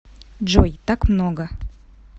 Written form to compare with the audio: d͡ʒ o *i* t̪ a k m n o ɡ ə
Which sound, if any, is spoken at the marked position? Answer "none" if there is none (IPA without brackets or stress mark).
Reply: j